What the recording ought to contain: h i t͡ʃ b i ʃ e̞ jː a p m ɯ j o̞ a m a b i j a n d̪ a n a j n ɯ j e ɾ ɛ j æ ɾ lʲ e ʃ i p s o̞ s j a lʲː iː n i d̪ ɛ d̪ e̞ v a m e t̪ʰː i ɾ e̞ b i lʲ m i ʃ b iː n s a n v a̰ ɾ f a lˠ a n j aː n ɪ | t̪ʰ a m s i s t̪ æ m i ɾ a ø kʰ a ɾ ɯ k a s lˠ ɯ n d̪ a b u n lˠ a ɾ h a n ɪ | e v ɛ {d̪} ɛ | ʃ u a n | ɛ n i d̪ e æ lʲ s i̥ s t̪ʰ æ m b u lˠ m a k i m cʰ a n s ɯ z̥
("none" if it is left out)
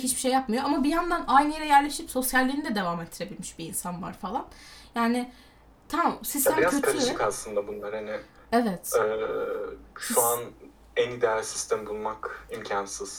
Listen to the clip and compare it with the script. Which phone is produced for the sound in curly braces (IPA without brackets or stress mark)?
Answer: t̪